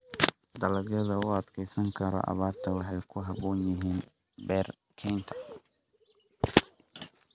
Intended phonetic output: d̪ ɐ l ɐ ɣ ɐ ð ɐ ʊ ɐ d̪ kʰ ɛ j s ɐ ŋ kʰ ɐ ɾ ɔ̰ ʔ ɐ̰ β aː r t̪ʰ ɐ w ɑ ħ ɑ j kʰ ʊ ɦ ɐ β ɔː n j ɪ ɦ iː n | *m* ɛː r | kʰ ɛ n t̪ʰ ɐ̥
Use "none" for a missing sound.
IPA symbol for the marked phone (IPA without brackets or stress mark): b